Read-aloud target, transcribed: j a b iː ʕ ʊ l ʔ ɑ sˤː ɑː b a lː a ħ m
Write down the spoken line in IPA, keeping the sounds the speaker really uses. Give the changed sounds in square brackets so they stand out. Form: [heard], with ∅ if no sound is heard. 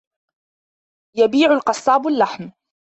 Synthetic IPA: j a b iː ʕ ʊ l [q] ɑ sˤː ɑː b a lː a ħ m